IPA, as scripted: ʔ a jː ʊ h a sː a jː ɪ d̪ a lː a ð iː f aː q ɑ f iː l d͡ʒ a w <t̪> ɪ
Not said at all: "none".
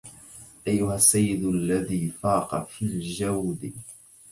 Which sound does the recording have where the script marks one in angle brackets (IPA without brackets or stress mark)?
d̪